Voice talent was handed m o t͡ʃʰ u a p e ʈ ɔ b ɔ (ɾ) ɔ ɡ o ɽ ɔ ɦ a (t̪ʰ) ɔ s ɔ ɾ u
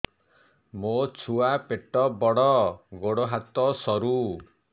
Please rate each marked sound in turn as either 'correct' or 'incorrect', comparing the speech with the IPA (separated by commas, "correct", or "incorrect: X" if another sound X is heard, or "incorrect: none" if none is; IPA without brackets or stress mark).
incorrect: ɽ, incorrect: t̪